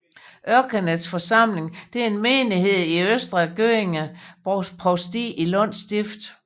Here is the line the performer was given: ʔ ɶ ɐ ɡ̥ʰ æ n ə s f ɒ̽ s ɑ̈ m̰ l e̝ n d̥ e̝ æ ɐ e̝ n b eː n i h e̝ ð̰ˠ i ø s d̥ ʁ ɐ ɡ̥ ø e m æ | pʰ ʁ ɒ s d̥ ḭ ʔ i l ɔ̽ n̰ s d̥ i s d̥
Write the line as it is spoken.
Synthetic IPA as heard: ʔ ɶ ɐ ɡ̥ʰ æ n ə s f ɒ̽ s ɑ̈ m̰ l e̝ ŋ d̥ e̝ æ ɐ e̝ n m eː n i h e̝ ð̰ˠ i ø s d̥ ʁ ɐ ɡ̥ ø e ŋ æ | pʰ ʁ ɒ s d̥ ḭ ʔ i l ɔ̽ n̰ s d̥ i f d̥